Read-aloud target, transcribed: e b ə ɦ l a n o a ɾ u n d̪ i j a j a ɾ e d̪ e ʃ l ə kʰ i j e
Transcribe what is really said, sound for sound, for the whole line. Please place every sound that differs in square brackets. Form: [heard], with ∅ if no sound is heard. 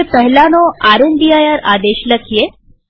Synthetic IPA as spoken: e [p] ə ɦ l a n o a ɾ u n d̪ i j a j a ɾ [a] d̪ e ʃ l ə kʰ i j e